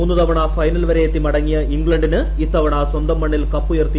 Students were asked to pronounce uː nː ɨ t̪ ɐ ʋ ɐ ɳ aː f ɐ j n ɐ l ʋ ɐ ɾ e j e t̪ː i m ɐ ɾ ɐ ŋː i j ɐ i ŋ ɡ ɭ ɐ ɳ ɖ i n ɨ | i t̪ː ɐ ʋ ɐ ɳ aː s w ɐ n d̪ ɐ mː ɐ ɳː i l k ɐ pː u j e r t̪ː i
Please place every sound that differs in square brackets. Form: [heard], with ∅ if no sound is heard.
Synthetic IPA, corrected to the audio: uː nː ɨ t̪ ɐ ʋ ɐ ɳ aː f ɐ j n ɐ l ʋ ɐ ɾ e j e t̪ː i m ɐ [ɽ] ɐ ŋː i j ɐ i ŋ ɡ ɭ ɐ ɳ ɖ i n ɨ | i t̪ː ɐ ʋ ɐ ɳ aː s w ɐ n d̪ ɐ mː ɐ ɳː i l k ɐ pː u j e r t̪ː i